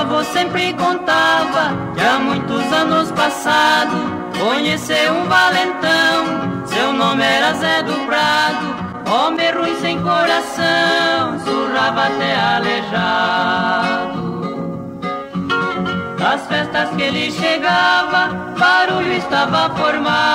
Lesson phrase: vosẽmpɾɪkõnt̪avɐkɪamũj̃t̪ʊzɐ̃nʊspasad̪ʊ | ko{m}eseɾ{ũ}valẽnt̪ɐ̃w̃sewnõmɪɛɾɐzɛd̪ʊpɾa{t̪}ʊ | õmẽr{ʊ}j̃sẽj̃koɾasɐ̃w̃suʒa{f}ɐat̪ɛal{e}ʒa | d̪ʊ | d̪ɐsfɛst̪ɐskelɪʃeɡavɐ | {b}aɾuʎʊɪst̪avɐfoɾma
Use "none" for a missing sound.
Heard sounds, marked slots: ɲ, ũ, d̪, u, v, e, b

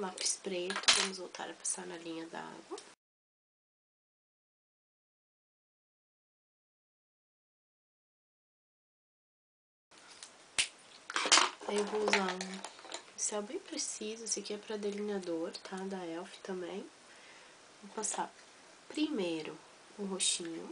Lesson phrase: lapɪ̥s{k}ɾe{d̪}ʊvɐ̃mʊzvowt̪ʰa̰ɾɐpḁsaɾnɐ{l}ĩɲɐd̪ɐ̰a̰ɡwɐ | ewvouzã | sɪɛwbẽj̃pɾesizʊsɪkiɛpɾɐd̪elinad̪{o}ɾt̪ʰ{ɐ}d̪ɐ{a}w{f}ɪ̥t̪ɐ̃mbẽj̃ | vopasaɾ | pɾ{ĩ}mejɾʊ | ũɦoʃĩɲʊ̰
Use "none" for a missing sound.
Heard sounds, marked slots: p, t̪, l, o, a, ɛ, f, i

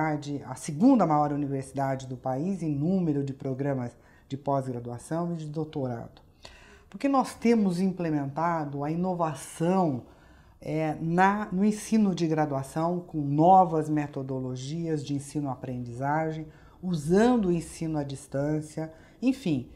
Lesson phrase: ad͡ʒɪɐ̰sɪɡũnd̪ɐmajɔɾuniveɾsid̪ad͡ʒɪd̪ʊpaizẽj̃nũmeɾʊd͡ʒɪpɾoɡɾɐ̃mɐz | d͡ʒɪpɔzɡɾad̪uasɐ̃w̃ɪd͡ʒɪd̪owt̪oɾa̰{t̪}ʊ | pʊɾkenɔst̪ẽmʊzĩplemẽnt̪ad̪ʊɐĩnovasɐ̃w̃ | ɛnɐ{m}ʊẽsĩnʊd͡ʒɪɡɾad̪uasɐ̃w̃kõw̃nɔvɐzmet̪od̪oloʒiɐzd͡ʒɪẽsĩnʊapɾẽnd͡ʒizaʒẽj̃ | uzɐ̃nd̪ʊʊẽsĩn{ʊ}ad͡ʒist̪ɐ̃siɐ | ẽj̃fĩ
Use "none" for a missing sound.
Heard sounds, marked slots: d̪, n, ʊ

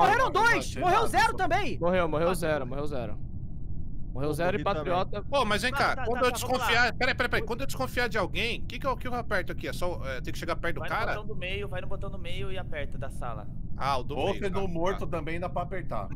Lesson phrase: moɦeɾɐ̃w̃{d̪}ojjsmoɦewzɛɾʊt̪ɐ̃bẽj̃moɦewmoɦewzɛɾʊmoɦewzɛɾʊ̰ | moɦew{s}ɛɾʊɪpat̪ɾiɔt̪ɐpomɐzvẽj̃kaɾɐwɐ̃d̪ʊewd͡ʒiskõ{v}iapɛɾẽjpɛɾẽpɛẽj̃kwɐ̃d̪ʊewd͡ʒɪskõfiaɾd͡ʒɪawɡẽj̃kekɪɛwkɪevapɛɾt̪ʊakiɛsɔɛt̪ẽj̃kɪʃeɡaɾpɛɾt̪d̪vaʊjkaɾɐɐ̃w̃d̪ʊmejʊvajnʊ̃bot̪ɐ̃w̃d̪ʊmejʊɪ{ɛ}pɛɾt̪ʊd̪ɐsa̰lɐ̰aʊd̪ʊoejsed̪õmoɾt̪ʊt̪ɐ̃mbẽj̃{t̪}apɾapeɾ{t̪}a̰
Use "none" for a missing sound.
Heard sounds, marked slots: d̪, z, f, a, d̪, t̪

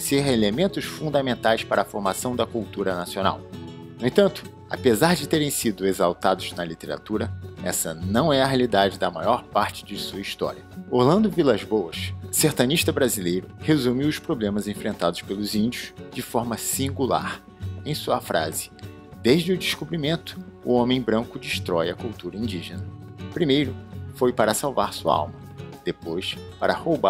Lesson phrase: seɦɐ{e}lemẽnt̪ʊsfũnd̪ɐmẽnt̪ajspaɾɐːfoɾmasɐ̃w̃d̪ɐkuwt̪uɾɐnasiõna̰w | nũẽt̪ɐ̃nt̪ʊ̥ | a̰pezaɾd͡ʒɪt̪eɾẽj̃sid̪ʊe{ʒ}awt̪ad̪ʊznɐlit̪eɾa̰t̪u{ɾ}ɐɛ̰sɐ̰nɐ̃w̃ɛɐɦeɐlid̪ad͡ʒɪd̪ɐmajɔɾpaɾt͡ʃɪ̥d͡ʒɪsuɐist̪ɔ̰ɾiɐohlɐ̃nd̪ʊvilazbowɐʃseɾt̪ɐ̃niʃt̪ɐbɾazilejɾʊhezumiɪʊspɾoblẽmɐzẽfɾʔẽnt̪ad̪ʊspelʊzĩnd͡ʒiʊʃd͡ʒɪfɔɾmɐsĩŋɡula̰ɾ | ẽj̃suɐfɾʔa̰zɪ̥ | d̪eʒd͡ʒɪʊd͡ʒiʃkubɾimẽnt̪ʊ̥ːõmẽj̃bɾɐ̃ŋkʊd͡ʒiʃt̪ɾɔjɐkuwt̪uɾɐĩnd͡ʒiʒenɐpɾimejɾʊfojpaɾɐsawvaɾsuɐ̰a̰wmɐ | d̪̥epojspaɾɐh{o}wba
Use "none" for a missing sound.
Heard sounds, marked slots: e, z, ɾ, o

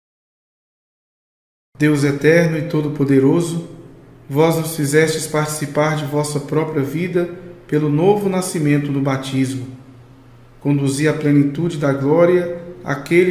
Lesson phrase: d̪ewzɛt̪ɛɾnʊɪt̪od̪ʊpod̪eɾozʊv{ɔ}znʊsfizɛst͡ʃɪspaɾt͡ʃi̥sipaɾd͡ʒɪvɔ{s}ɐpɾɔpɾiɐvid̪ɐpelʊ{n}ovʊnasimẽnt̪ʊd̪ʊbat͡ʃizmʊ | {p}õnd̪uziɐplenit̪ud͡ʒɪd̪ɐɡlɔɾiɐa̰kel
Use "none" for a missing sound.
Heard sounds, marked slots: ɔ, s, n, k

